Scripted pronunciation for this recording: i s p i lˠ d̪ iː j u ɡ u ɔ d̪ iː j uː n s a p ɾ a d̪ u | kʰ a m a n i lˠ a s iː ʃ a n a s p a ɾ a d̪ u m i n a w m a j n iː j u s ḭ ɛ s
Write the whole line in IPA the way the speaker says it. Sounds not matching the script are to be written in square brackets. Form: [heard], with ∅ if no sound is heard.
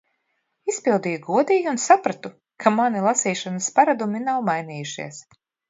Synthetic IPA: i s p i lˠ d̪ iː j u ɡ u ɔ d̪ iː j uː n s a p ɾ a [t̪] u | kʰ a m a n i lˠ a s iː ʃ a n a s p a ɾ a d̪ u m i n a w m a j n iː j u [ʃ] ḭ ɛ s

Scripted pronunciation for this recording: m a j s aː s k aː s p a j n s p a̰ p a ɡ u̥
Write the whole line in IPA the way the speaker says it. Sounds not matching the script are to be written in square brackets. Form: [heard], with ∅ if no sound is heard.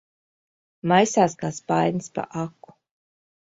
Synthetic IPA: m a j s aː s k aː s p a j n s p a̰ [ʔ] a [k] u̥

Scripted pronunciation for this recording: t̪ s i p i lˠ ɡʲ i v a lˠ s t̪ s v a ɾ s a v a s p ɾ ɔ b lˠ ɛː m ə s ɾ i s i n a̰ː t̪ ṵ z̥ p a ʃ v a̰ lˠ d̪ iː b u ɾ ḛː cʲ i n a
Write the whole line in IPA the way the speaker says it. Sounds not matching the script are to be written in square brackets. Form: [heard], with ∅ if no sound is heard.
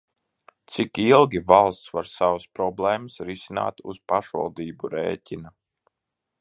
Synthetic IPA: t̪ s i [k] i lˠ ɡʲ i v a lˠ s t̪ s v a ɾ s a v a s p ɾ ɔ b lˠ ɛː m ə s ɾ i s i n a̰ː t̪ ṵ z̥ p a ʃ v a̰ lˠ d̪ iː b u ɾ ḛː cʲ i n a

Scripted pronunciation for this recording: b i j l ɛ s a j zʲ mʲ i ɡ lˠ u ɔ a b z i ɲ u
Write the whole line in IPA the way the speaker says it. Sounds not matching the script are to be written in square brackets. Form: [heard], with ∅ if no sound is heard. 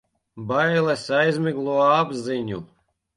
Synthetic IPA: b [a] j l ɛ s a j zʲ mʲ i ɡ lˠ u ɔ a b z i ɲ u

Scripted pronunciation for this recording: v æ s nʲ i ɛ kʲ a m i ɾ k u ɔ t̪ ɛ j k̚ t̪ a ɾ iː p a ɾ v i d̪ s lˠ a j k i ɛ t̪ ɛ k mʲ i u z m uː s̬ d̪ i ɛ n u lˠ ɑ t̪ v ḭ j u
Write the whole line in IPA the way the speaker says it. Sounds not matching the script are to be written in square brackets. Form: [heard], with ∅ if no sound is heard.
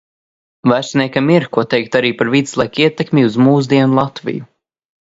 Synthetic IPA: v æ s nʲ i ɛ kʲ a m i ɾ k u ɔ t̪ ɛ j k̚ t̪ a ɾ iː p a ɾ v i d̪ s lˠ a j k i ɛ t̪ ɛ k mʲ i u z m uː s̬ d̪ i ɛ n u lˠ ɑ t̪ v ḭ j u

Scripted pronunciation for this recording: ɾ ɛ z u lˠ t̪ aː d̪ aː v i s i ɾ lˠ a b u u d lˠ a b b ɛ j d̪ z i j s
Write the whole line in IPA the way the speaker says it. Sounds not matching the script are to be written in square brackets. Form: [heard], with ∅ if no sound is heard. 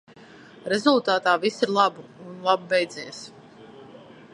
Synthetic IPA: ɾ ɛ z u lˠ t̪ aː [t̪] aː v i s i ɾ lˠ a b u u [n] lˠ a b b ɛ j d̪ z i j s

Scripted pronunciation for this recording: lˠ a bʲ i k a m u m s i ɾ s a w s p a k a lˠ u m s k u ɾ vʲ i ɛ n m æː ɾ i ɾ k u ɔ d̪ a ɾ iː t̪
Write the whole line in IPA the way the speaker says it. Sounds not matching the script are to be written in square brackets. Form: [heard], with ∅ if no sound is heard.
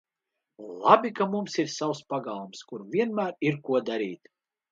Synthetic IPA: lˠ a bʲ i k a m u m s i ɾ s a w s p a [ɡ] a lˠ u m s k u ɾ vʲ i ɛ n m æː ɾ i ɾ k u ɔ d̪ a ɾ iː t̪

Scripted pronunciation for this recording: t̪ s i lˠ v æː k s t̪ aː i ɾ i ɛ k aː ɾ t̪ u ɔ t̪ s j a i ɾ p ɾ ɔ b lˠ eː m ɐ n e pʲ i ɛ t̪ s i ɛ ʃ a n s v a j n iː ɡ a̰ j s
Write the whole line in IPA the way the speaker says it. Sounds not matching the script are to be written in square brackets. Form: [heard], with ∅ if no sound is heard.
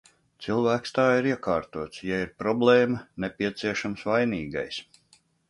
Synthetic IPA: t̪ s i lˠ v æː k s t̪ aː i ɾ i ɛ k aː ɾ t̪ u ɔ t̪ s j a i ɾ p ɾ ɔ b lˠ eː m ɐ n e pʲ i ɛ t̪ s i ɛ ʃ a [m] s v a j n iː ɡ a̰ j s

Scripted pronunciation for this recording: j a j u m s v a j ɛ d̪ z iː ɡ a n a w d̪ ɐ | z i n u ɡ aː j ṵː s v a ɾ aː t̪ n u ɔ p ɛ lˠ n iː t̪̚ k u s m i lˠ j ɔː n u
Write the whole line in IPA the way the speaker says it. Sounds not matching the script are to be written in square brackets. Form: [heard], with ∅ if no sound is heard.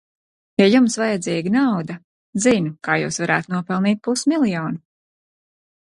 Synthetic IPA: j a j u m s v a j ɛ d̪ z iː ɡ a n a w d̪ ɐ | z i n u [k] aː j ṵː s v a ɾ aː t̪ n u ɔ p ɛ lˠ n iː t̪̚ [p] u s m i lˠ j ɔː n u

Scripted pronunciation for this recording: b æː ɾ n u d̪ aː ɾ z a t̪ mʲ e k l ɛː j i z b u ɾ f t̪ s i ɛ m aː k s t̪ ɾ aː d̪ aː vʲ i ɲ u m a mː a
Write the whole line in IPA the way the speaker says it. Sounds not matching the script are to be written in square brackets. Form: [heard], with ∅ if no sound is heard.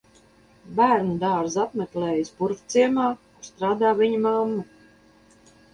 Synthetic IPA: b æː ɾ n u d̪ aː ɾ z a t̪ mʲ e k l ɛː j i [s] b u ɾ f t̪ s i ɛ m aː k s t̪ ɾ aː d̪ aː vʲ i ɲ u m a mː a

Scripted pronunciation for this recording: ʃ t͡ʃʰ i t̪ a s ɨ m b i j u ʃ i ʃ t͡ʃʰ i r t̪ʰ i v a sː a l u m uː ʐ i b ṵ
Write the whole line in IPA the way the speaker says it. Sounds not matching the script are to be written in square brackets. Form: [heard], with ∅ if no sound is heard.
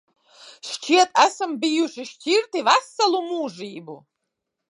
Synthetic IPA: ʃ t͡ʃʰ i t̪ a s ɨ m b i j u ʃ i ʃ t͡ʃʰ i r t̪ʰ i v a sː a l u m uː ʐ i b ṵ

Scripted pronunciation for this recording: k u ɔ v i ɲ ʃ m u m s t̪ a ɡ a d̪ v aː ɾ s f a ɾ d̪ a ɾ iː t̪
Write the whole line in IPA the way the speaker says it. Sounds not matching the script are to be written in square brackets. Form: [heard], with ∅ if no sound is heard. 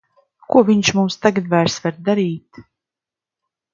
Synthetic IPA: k u ɔ v i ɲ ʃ m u m s t̪ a ɡ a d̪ v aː ɾ s [v] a ɾ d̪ a ɾ iː t̪

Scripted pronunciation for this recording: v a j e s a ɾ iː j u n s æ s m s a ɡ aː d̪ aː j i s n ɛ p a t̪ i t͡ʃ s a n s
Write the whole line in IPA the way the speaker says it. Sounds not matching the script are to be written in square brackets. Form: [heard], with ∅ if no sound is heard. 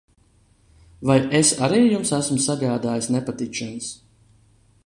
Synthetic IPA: v a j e s a ɾ iː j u [m] s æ s m s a ɡ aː d̪ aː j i s n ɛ p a t̪ i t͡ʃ [ʃ] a n s

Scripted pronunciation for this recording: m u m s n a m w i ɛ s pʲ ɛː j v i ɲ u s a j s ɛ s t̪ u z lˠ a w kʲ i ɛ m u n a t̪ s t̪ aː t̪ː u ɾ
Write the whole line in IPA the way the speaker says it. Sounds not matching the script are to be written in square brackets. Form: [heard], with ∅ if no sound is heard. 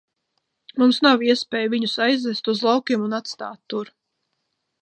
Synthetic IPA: m u m s n a [∅] w i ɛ s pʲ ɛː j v i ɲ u s a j [z] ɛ s t̪ u z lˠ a w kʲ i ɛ m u n a t̪ s t̪ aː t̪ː u ɾ

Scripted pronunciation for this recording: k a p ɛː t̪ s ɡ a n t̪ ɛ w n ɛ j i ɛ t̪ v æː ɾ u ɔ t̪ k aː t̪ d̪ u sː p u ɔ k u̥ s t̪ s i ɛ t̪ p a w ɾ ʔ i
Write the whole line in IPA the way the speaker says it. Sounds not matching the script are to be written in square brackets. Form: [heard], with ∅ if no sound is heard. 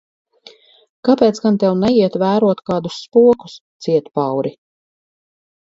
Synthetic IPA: k a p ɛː t̪ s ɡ a n t̪ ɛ w n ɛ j i ɛ t̪ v æː ɾ u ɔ t̪ k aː [∅] d̪ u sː p u ɔ k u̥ s t̪ s i ɛ t̪ p a w ɾ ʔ i

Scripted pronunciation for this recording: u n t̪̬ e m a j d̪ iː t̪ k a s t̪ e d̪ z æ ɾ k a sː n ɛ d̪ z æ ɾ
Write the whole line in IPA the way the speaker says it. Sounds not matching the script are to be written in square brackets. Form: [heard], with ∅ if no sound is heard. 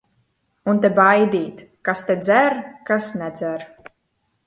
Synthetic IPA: u n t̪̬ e [b] a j d̪ iː t̪ k a s t̪ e d̪ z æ ɾ k a [s] n ɛ d̪ z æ ɾ

